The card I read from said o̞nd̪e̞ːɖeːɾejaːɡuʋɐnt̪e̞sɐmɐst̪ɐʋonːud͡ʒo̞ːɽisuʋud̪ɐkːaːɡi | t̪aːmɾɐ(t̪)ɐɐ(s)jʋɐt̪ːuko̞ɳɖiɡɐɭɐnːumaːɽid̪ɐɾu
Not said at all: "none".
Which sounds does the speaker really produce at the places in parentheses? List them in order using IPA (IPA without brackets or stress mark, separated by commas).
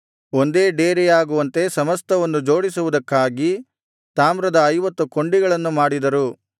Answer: d̪, none